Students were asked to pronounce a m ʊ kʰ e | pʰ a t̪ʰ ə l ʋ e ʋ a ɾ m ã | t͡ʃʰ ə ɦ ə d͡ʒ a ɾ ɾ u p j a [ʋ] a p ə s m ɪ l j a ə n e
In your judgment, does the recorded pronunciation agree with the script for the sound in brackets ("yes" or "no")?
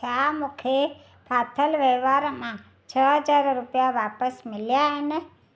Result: yes